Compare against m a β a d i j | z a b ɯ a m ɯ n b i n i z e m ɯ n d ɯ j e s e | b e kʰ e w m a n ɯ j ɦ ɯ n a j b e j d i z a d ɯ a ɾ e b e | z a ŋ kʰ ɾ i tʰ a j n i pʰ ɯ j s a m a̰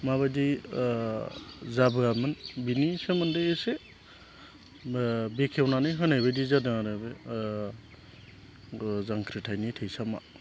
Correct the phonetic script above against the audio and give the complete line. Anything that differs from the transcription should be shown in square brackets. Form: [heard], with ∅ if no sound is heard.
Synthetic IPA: m a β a d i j | z a b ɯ a m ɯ n b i n i [s] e m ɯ n d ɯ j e s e | b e kʰ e w [n] a n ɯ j ɦ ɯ n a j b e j d i z a d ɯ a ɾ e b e | z a ŋ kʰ ɾ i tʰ a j n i [tʰ] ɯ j s a m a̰